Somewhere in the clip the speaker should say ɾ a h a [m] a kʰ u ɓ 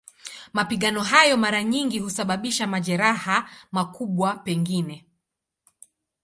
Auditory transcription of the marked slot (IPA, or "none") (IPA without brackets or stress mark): m